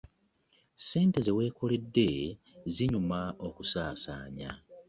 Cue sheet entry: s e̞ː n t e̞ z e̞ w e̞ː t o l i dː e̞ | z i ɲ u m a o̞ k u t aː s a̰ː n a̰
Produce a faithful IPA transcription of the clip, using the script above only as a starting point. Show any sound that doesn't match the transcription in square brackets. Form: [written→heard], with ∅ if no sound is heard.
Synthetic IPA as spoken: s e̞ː n t e̞ z e̞ w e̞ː [t→k] o l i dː e̞ | z i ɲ u m a o̞ k u [t→s] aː s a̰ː [n→ɲ] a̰